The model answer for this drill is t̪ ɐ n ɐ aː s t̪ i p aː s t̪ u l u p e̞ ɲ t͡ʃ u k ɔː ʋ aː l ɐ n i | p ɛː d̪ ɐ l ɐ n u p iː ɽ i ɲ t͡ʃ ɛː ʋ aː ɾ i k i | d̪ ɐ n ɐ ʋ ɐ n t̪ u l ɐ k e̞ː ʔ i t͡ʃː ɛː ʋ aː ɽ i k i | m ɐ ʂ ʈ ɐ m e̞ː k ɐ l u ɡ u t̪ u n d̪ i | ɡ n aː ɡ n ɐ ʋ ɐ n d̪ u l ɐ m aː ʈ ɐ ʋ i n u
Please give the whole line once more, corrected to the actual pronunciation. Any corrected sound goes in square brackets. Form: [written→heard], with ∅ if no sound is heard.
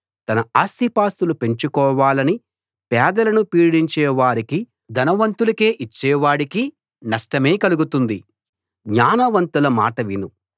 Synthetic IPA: t̪ ɐ n ɐ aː s t̪ i p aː s t̪ u l u p e̞ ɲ t͡ʃ u k ɔː ʋ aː l ɐ n i | p ɛː d̪ ɐ l ɐ n u p iː ɽ i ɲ t͡ʃ ɛː ʋ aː ɾ i k i | d̪ ɐ n ɐ ʋ ɐ n t̪ u l ɐ k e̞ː ʔ i t͡ʃː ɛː ʋ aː ɽ i k i | [m→n] ɐ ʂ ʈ ɐ m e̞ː k ɐ l u ɡ u t̪ u n d̪ i | ɡ [n→ɲ] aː [ɡ→∅] n ɐ ʋ ɐ n [d̪→t̪] u l ɐ m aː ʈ ɐ ʋ i n u

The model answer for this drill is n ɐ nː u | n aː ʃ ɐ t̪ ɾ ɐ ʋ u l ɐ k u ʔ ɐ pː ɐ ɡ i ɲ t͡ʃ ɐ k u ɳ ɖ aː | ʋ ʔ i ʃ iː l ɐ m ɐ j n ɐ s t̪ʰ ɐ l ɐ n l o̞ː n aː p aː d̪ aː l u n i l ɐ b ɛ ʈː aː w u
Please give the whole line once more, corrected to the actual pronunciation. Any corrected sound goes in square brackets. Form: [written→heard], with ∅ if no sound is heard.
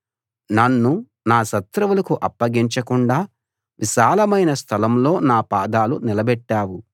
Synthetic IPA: n ɐ nː u | n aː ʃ ɐ t̪ ɾ ɐ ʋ u l ɐ k u ʔ ɐ pː ɐ ɡ i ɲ t͡ʃ ɐ k u ɳ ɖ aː | ʋ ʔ i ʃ [iː→aː] l ɐ m ɐ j n ɐ s t̪ʰ ɐ l ɐ [n→m] l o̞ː n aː p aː d̪ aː l u n i l ɐ b ɛ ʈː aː w u

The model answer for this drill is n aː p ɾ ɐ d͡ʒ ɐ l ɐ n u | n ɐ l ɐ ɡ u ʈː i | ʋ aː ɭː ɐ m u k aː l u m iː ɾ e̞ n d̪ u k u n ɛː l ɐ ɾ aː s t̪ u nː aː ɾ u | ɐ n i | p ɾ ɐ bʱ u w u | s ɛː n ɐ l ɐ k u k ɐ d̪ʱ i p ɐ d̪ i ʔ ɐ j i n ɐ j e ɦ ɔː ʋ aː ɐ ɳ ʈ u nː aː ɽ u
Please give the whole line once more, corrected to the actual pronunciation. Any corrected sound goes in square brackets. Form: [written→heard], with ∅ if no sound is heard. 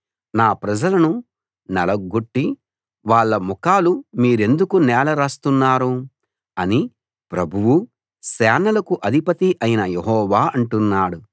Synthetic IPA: n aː p ɾ ɐ d͡ʒ ɐ l ɐ n u | n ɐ l ɐ ɡ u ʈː i | ʋ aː ɭː ɐ m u k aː l u m iː ɾ e̞ n d̪ u k u n ɛː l ɐ ɾ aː s t̪ u nː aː ɾ u | ɐ n i | p ɾ ɐ bʱ u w u | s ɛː n ɐ l ɐ k u [k→ʔ] ɐ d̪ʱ i p ɐ [d̪→t̪] i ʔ ɐ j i n ɐ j e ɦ ɔː ʋ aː ɐ ɳ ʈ u nː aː ɽ u

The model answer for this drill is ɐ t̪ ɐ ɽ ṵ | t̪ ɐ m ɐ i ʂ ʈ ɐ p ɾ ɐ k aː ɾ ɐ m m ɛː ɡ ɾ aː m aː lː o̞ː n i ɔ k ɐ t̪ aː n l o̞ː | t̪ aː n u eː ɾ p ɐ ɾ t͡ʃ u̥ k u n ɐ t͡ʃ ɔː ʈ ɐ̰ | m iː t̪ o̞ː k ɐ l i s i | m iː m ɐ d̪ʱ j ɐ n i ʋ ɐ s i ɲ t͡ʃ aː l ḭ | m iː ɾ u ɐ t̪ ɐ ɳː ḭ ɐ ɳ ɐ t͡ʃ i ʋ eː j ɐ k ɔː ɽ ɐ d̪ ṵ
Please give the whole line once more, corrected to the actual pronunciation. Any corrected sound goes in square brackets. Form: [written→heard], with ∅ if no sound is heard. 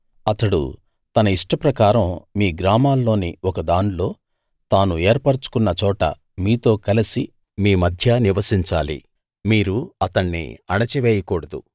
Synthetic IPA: ɐ t̪ ɐ ɽ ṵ | t̪ ɐ [m→n] ɐ i ʂ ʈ ɐ p ɾ ɐ k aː ɾ ɐ m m [ɛː→iː] ɡ ɾ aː m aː lː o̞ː n i ɔ k ɐ [t̪→d̪] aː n l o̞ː | t̪ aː n u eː ɾ p ɐ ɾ t͡ʃ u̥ k u [n→nː] ɐ t͡ʃ ɔː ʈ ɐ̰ | m iː t̪ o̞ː k ɐ l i s i | m iː m ɐ d̪ʱ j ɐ n i ʋ ɐ s i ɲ t͡ʃ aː l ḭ | m iː ɾ u ɐ t̪ ɐ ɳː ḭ ɐ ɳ ɐ t͡ʃ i ʋ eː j ɐ k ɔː ɽ ɐ d̪ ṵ

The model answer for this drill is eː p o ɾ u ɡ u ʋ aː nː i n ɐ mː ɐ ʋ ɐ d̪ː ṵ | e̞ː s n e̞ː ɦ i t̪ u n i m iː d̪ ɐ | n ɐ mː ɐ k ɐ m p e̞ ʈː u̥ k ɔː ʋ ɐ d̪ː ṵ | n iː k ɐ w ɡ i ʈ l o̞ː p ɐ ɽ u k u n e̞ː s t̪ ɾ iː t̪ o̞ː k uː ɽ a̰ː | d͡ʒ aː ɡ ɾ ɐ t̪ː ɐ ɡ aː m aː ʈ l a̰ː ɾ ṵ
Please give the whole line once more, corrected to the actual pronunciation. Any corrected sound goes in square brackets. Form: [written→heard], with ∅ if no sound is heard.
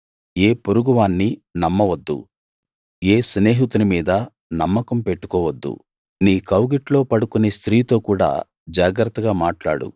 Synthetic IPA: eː p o ɾ u ɡ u ʋ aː nː i n ɐ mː ɐ ʋ ɐ d̪ː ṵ | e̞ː s n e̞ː ɦ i t̪ u n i m iː d̪ ɐ | n ɐ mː ɐ k ɐ m p e̞ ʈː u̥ k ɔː ʋ ɐ d̪ː ṵ | n iː k ɐ w ɡ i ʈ l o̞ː p ɐ ɽ u k u n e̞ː s t̪ ɾ iː t̪ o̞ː k uː ɽ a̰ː | d͡ʒ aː ɡ ɾ ɐ t̪ː ɐ ɡ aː m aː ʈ l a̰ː [ɾ→ɽ] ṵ

